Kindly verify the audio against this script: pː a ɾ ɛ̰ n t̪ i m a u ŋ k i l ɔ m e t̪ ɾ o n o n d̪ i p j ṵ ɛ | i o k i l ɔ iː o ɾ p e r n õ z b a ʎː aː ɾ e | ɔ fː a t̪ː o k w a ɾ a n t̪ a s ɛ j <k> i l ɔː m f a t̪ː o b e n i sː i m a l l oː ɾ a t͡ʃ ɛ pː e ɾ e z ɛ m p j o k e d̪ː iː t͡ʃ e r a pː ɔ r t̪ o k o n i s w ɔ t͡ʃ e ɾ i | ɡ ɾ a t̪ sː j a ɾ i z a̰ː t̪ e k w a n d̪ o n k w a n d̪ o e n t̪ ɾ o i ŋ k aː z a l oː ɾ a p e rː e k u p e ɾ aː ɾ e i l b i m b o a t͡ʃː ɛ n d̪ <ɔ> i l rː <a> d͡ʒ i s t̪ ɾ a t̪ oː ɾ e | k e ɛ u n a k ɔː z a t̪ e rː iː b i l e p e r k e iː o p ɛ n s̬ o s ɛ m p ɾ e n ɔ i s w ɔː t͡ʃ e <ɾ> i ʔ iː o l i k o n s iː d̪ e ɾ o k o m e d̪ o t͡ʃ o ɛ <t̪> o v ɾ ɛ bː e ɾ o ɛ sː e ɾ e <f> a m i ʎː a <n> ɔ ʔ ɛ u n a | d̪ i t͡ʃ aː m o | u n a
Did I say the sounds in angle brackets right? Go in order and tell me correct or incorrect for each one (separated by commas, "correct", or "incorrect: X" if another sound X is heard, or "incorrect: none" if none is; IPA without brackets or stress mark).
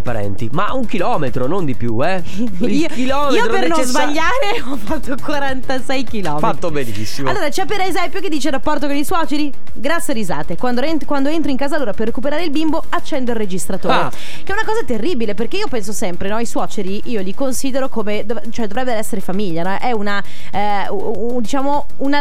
correct, incorrect: o, incorrect: e, correct, incorrect: d̪, correct, correct